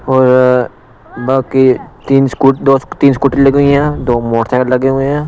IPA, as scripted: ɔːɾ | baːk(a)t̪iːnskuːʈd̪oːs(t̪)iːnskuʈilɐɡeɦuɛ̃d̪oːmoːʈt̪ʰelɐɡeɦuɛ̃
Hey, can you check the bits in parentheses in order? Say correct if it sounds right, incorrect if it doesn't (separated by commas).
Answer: incorrect, correct